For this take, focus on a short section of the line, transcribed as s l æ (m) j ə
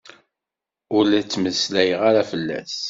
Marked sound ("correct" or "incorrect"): incorrect